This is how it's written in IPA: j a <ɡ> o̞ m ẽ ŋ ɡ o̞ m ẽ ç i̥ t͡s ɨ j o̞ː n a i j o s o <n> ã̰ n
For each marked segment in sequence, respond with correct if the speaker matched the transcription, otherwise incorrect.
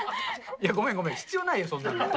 correct, incorrect: nː

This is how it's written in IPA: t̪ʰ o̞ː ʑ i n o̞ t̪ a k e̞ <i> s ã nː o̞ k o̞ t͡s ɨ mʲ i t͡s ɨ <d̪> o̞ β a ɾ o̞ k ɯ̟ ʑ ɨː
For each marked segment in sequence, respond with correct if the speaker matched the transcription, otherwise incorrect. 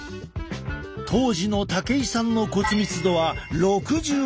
correct, correct

